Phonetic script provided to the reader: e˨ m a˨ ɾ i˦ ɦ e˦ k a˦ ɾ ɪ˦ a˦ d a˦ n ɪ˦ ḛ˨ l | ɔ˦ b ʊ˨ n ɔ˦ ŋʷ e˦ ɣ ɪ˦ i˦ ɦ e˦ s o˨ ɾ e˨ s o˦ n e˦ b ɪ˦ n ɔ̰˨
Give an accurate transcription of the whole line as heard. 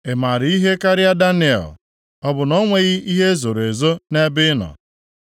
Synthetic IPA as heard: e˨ m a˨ ɾ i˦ ɦ e˦ k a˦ ɾ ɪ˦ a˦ d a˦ n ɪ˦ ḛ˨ l | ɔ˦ b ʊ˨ n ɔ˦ ŋʷ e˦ ɣ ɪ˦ i˦ ɦ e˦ z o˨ ɾ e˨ z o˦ n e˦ b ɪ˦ n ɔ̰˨